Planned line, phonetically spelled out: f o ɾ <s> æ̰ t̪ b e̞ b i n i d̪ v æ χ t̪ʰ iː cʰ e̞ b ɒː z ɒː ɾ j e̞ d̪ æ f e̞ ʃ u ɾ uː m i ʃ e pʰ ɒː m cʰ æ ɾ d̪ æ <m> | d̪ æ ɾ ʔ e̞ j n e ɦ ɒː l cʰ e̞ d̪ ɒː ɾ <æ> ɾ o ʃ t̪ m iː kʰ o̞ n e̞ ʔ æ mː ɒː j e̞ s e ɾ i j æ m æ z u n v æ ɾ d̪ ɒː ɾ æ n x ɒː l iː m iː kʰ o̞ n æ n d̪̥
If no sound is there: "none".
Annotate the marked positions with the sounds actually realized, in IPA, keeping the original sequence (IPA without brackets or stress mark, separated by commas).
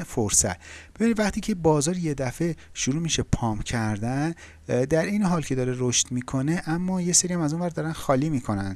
s, n, e